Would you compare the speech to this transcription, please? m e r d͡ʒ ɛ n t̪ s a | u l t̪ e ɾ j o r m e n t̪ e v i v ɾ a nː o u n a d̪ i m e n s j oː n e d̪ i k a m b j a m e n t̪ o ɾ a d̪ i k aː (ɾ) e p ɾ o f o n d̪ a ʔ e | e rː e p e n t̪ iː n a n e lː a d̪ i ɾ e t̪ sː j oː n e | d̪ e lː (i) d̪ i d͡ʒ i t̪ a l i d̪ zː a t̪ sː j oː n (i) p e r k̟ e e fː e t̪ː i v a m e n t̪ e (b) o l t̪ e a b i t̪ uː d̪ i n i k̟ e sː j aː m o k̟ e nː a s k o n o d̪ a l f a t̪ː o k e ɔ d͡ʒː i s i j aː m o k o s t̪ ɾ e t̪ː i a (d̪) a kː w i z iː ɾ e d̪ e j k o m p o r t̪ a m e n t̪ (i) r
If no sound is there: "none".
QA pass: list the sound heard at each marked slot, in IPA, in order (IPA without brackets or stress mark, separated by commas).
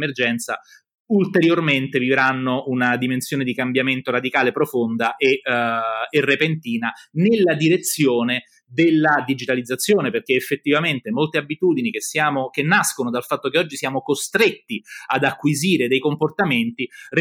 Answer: l, a, e, m, d̪, i